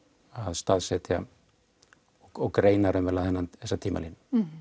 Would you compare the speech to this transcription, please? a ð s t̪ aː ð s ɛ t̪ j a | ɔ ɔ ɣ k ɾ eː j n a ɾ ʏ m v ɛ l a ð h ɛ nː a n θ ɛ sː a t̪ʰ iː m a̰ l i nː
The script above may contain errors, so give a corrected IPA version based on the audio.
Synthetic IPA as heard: a ð s t̪ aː ð s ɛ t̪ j a | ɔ ɔ ɣ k ɾ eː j n a ɾ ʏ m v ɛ l a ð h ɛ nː a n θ ɛ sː a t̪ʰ iː m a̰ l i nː